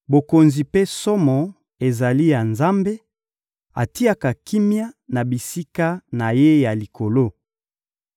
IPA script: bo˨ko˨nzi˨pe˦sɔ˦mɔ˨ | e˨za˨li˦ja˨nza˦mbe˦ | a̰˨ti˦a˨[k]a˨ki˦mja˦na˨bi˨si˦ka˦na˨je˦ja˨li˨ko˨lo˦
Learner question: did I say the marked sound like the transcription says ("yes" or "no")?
yes